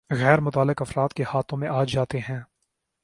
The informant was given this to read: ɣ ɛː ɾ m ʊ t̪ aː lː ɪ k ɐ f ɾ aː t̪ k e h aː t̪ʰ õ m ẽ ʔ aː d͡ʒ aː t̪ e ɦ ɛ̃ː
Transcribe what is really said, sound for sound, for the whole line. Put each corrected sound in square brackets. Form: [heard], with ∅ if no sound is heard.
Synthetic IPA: ɣ ɛː ɾ m ʊ t̪ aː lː ɪ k ɐ f ɾ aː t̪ k e h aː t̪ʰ õ m ẽ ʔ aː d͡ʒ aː t̪ e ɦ ɛ̃ː